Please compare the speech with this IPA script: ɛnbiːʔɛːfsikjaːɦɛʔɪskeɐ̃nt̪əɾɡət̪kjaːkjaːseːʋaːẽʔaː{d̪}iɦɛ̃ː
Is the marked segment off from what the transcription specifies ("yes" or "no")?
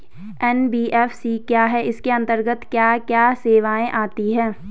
yes